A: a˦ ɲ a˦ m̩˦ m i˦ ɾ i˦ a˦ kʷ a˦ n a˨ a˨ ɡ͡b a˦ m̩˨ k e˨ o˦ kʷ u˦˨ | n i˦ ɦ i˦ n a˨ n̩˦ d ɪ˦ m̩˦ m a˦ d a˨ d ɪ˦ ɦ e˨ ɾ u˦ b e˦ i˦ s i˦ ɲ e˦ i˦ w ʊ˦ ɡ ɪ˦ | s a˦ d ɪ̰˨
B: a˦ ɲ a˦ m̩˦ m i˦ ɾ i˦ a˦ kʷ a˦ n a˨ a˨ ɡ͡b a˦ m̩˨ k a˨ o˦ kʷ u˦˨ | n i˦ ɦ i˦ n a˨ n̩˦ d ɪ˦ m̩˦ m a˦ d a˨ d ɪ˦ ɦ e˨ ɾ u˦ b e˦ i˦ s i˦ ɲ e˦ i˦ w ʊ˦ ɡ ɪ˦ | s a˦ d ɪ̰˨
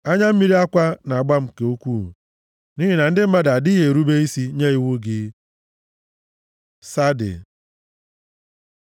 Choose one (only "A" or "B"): A